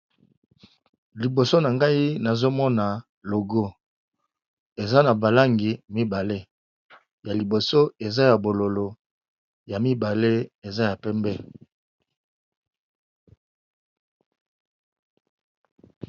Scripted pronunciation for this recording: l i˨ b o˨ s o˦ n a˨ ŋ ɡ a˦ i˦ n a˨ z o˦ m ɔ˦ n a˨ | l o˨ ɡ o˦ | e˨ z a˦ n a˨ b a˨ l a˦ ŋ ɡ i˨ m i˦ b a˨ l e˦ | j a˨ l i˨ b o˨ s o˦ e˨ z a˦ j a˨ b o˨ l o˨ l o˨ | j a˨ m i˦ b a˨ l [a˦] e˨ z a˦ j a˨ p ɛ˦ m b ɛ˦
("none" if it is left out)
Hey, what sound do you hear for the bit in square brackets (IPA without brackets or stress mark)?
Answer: e˦